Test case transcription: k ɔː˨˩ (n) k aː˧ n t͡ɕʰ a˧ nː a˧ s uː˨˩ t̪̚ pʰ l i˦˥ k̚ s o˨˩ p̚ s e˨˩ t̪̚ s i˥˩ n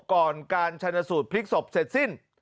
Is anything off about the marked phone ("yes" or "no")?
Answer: no